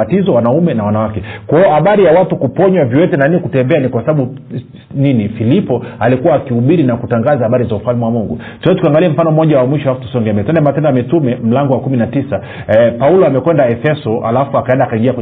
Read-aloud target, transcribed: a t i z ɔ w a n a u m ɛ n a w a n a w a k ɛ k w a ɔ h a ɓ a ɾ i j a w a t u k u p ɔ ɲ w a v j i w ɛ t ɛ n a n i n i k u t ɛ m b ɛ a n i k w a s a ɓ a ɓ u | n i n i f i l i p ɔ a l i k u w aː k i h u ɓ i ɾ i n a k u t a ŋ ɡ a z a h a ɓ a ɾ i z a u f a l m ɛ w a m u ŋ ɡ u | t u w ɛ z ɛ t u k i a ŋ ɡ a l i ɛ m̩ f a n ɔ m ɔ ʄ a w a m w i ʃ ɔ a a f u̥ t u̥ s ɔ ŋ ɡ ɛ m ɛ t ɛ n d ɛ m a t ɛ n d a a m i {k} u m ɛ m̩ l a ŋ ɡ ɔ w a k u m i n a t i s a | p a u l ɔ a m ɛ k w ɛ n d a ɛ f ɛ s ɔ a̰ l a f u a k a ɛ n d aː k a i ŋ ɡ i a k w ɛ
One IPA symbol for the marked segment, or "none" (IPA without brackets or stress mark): t